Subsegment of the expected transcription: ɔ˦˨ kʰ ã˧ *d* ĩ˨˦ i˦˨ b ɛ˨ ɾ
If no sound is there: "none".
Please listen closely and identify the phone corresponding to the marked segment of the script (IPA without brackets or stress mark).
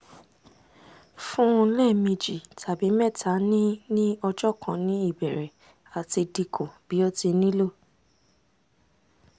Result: n